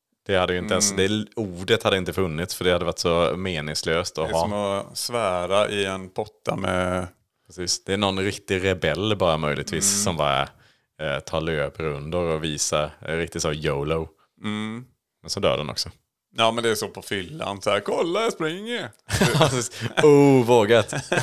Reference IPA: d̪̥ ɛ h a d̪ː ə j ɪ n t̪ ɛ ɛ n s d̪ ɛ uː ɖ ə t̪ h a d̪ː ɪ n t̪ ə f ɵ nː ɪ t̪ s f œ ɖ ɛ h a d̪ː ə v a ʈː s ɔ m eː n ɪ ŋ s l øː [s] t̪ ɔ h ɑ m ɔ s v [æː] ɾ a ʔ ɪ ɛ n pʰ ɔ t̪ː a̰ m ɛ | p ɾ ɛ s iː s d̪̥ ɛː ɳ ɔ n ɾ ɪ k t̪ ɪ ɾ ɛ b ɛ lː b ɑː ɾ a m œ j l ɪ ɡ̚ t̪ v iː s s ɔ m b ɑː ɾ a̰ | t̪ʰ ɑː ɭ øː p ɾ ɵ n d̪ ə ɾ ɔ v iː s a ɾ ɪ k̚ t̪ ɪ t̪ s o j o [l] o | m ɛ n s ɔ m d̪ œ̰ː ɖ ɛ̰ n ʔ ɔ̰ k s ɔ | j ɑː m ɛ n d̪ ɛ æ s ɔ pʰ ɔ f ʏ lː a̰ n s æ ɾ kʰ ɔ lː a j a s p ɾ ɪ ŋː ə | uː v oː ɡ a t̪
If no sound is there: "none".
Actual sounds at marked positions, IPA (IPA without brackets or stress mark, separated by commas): s, æː, l